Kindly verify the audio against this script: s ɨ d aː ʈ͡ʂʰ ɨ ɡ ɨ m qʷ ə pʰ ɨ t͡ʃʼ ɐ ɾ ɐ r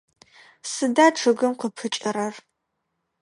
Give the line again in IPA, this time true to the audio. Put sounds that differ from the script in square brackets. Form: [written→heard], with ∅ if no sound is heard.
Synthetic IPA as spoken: s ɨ d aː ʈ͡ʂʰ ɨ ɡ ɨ m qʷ ə pʰ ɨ t͡ʃʼ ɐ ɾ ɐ r